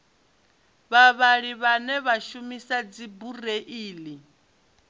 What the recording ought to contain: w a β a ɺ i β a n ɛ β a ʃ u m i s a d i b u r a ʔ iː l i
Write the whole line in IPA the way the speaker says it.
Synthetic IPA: β a β a ɺ i β a n ɛ β a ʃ u m i s a d͡z i b u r e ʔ iː l i